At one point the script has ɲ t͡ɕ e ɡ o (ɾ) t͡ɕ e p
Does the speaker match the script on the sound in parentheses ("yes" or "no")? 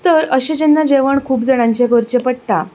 yes